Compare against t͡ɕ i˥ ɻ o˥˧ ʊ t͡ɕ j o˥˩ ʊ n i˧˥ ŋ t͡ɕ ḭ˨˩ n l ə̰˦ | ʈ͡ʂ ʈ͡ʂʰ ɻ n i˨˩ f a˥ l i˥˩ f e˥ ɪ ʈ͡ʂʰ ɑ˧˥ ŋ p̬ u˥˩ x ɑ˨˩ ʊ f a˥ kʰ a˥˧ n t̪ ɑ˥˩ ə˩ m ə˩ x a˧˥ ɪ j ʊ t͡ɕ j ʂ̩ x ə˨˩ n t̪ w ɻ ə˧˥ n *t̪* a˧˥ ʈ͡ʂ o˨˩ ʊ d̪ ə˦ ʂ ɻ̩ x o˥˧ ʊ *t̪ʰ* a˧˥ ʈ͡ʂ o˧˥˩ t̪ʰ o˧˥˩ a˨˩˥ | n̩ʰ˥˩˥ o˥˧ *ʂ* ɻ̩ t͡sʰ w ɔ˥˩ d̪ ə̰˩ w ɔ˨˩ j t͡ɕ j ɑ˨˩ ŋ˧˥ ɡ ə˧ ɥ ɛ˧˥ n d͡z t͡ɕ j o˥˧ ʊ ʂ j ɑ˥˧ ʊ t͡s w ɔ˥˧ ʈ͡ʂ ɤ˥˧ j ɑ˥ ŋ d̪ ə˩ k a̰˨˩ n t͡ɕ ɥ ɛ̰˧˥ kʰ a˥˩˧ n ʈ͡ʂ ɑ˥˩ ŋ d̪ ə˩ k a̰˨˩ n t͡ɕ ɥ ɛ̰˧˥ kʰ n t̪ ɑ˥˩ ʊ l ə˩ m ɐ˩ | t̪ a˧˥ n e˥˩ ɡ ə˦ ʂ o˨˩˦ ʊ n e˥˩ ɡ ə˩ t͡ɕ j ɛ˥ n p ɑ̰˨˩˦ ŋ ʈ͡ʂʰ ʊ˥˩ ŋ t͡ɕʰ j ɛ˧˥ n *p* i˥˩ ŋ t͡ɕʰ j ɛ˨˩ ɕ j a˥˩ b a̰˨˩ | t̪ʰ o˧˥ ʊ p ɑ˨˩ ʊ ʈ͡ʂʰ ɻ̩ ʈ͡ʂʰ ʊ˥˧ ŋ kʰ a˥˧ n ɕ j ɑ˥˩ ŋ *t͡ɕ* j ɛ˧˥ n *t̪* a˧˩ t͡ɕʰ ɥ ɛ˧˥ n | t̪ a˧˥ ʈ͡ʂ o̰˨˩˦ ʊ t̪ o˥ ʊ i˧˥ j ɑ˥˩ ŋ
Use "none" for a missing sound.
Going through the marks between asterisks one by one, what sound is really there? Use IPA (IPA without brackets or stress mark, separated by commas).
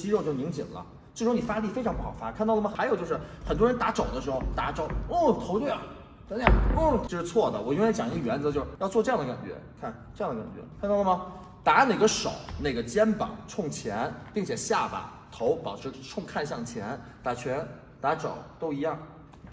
t̪, t̪, ʂ, p, t͡ɕʰ, t̪